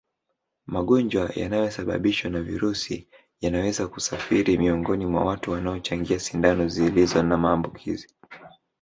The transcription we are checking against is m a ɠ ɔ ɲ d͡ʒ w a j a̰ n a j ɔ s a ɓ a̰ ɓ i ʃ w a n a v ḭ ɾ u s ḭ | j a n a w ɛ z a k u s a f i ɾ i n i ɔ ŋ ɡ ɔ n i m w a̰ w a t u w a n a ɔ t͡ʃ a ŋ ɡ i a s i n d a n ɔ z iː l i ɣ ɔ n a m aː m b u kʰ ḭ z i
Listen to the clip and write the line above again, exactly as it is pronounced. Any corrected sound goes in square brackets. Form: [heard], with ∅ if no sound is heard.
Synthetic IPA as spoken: m a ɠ ɔ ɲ d͡ʒ w a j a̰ n a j ɔ s a ɓ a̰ ɓ i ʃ w a n a v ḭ ɾ u s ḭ | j a n a w ɛ z a k u s a f i ɾ i [m] i ɔ ŋ ɡ ɔ n i m w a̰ w a t u w a n a ɔ t͡ʃ a ŋ ɡ i a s i n d a n ɔ z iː l i [z] ɔ n a m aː m b u kʰ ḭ z i